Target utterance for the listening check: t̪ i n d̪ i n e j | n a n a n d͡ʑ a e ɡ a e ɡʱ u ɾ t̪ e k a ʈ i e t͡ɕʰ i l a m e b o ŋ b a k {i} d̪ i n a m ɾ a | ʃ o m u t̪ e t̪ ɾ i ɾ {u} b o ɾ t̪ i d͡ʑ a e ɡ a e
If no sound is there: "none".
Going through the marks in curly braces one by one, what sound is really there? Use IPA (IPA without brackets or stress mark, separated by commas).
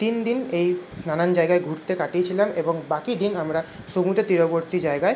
i, o